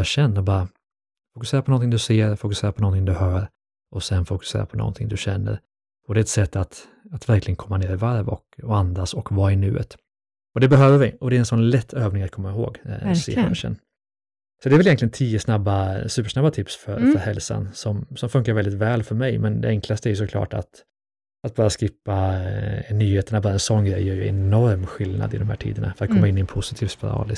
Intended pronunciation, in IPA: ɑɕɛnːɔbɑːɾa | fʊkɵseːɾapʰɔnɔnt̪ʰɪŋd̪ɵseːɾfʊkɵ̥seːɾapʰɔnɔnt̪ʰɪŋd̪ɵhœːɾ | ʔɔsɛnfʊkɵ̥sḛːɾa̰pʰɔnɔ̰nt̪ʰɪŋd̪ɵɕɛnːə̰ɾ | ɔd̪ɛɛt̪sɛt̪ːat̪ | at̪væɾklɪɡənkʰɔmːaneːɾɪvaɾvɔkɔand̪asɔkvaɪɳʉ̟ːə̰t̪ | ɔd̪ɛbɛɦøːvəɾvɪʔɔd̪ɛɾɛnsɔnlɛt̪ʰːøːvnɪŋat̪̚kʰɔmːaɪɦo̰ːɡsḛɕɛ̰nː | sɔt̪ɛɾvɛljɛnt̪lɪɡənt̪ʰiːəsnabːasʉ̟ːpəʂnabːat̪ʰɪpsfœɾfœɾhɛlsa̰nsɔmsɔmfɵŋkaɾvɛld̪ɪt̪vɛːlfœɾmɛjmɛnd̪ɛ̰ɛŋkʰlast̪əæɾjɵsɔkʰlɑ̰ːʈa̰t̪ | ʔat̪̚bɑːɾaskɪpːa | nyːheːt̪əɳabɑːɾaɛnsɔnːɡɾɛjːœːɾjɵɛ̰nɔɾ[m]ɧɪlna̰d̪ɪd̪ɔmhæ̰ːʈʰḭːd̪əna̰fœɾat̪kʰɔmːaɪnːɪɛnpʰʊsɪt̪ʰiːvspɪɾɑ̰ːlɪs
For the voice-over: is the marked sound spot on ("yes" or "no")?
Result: yes